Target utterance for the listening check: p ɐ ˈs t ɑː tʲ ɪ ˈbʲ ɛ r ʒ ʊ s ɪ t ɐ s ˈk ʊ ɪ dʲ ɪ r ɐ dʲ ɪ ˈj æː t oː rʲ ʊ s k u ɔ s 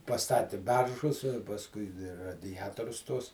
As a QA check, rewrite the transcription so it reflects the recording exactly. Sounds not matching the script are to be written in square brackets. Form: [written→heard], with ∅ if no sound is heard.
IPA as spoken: p ɐ ˈs t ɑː tʲ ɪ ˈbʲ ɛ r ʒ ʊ s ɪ [t→p] ɐ s ˈk ʊ ɪ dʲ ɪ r ɐ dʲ ɪ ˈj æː t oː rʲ ʊ s [k→t] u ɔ s